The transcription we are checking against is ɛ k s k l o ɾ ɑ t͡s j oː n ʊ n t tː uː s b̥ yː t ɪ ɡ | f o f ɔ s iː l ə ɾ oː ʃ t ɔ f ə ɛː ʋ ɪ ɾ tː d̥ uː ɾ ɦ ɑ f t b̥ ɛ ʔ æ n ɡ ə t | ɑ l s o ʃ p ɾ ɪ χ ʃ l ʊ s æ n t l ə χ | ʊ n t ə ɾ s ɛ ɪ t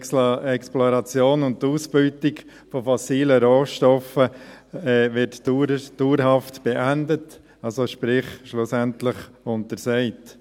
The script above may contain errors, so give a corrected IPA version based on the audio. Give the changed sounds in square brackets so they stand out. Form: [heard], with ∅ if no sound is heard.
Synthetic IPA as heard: ɛ k s [p] l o ɾ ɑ t͡s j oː n ʊ n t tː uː s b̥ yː t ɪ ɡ | f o f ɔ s iː l ə ɾ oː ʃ t ɔ f ə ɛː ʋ ɪ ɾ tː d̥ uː ɾ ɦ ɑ f t b̥ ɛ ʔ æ n [d] ə t | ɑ l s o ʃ p ɾ ɪ χ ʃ l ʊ s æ n t l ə χ | ʊ n t ə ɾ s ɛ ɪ t